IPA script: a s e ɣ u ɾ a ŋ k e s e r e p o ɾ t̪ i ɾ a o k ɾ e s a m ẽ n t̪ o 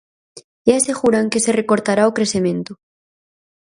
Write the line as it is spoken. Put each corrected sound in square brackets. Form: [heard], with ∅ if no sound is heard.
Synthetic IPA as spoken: a s e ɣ u ɾ a ŋ k e s e r e [k] o ɾ t̪ [a] ɾ a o k ɾ e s [e] m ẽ n t̪ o